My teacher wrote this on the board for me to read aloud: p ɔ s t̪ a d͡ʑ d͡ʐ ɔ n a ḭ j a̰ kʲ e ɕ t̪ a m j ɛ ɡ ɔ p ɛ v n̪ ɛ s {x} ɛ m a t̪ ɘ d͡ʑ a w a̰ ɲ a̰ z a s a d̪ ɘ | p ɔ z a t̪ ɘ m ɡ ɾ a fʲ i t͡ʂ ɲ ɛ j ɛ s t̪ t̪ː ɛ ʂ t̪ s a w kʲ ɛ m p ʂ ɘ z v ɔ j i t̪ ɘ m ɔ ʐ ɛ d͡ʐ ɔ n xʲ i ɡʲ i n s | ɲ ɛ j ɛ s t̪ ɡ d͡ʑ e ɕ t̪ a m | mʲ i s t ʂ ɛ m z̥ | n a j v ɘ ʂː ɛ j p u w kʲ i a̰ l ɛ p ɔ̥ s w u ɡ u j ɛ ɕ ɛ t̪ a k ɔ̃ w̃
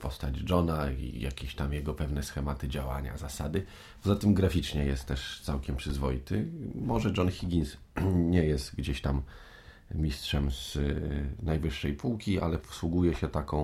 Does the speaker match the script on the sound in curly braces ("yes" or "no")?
yes